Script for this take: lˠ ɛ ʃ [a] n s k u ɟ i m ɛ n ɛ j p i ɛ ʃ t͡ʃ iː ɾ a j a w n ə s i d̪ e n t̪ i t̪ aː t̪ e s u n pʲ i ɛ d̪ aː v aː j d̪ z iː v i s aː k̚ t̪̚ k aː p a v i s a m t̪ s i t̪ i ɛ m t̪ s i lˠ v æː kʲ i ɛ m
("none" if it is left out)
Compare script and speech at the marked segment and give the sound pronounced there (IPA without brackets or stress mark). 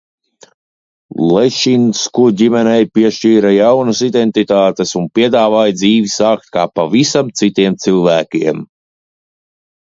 i